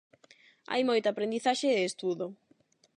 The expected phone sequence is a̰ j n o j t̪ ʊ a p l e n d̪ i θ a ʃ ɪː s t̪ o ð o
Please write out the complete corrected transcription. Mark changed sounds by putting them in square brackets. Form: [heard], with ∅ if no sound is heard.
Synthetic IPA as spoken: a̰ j [m] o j t̪ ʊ a p [ɾ] e n d̪ i θ a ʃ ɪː s t̪ [u] ð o